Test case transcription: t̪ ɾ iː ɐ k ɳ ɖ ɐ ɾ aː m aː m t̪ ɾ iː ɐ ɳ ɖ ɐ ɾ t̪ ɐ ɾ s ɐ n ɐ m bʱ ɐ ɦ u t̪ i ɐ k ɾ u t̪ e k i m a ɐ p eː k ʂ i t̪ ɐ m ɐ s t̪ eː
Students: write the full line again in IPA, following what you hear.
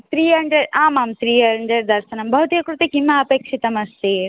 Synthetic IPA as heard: t̪ ɾ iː ɐ ɳ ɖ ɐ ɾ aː m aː m t̪ ɾ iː ɐ ɳ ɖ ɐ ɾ d̪ ɐ ɾ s ɐ n ɐ m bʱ ɐ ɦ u t̪ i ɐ k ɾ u t̪ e k i m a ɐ p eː k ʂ i t̪ ɐ m ɐ s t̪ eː

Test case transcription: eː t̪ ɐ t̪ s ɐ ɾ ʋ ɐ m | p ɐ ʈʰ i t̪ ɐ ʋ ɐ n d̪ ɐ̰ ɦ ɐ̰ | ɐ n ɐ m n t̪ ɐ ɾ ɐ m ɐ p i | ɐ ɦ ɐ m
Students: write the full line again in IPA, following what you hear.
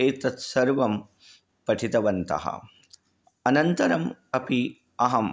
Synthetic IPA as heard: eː t̪ ɐ t̪ s ɐ ɾ ʋ ɐ m | p ɐ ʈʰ i t̪ ɐ ʋ ɐ n t̪ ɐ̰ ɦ ɐ̰ | ɐ n ɐ n t̪ ɐ ɾ ɐ m ɐ p i | ɐ ɦ ɐ m

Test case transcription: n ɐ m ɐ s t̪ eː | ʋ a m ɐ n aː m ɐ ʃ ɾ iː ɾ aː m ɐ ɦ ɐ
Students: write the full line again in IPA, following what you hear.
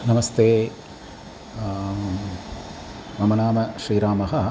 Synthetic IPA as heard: n ɐ m ɐ s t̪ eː | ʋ ɐ m ɐ n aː m ɐ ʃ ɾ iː ɾ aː m ɐ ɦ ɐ

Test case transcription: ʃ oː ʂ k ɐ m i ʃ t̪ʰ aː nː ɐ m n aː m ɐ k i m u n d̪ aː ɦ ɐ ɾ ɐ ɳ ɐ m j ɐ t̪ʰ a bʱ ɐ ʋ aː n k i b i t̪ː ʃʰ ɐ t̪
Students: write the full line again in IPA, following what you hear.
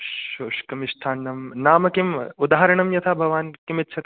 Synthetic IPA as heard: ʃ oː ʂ k ɐ m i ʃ t̪ʰ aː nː ɐ m n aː m ɐ k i m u d̪ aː ɦ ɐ ɾ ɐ ɳ ɐ m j ɐ t̪ʰ a bʱ ɐ ʋ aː n k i m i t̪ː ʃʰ ɐ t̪

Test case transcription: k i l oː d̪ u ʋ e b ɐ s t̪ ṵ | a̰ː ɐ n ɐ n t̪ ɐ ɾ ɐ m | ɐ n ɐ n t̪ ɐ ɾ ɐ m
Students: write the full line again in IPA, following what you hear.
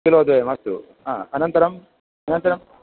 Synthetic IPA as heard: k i l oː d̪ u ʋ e m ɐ s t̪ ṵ | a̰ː ɐ n ɐ n t̪ ɐ ɾ ɐ m | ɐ n ɐ n t̪ ɐ ɾ ɐ m

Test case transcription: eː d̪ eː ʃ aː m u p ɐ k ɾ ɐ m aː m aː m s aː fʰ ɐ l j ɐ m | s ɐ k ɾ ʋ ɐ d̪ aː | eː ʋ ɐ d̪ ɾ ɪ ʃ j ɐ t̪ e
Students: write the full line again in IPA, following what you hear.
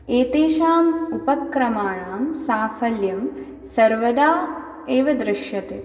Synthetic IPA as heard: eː t̪ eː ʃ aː m u p ɐ k ɾ ɐ m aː ɳ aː m s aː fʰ ɐ l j ɐ m | s ɐ ɾ ʋ ɐ d̪ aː | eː ʋ ɐ d̪ ɾ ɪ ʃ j ɐ t̪ e

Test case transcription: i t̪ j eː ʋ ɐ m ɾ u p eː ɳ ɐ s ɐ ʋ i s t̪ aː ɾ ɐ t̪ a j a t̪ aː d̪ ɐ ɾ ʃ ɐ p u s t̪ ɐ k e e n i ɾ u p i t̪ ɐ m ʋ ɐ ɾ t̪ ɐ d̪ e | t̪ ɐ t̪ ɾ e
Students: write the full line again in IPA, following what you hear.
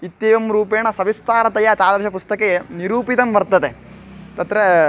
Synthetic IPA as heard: i t̪ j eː ʋ ɐ m ɾ uː p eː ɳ ɐ s ɐ ʋ i s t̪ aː ɾ ɐ t̪ ɐ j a t̪ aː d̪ ɐ ɾ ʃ ɐ p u s t̪ ɐ k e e n i ɾ uː p i t̪ ɐ m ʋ ɐ ɾ t̪ ɐ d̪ e | t̪ ɐ t̪ ɾ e

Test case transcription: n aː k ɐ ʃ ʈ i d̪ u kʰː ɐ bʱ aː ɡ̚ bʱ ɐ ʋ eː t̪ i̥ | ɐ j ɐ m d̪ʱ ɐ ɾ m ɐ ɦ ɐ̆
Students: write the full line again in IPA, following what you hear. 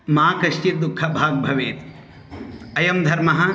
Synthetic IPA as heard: m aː k ɐ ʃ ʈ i d̪ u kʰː ɐ bʱ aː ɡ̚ bʱ ɐ ʋ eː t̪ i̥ | ɐ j ɐ m d̪ʱ ɐ ɾ m ɐ ɦ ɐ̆

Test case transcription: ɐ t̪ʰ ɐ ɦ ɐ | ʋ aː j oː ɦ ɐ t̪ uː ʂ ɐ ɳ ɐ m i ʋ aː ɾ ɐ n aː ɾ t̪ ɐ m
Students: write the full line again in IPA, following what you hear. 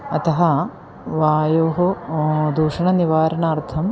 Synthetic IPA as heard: ɐ t̪ ɐ ɦ ɐ | ʋ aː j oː ɦ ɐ d̪ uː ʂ ɐ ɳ ɐ n i ʋ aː ɾ ɐ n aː ɾ t̪ʰ ɐ m

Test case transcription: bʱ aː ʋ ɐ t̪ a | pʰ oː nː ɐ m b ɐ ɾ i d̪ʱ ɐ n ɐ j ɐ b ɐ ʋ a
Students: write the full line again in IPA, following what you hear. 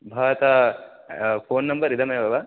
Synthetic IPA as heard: bʱ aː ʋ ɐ t̪ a | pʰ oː nː ɐ m b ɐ ɾ i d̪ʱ ɐ m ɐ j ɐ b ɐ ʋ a

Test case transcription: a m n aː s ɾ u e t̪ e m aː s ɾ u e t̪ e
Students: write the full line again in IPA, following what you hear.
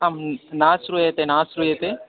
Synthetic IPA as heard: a m n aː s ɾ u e t̪ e n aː s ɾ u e t̪ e

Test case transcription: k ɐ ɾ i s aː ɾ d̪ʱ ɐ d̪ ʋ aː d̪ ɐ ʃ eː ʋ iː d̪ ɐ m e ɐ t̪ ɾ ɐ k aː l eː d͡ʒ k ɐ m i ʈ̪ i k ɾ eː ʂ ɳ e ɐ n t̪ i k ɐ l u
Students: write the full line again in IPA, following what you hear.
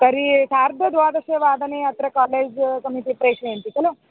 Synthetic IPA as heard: k ɐ ɾ i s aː ɾ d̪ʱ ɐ d̪ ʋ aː d̪ ɐ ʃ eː ʋ aː d̪ ɐ n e ɐ t̪ ɾ ɐ k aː l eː d͡ʒ k ɐ m i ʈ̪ i p ɾ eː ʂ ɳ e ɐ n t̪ i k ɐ l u

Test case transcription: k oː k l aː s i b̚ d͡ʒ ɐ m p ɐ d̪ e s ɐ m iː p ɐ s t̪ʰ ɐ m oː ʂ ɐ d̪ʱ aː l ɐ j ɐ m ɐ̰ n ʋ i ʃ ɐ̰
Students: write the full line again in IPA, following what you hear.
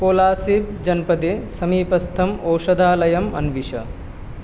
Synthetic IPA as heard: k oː l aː s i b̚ d͡ʒ ɐ n p ɐ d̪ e s ɐ m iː p ɐ s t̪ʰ ɐ m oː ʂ ɐ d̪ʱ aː l ɐ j ɐ m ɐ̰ n ʋ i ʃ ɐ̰

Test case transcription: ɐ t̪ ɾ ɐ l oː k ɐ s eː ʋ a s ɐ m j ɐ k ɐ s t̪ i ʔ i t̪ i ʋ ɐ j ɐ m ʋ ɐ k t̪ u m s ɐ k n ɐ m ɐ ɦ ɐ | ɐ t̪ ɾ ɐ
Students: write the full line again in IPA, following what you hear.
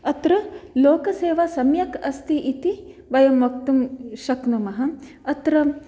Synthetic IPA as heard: ɐ t̪ ɾ ɐ l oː k ɐ s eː ʋ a s ɐ m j ɐ k ɐ s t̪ i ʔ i t̪ i ʋ ɐ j ɐ m ʋ ɐ k t̪ u m ʃ ɐ k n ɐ m ɐ ɦ ɐ | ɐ t̪ ɾ ɐ

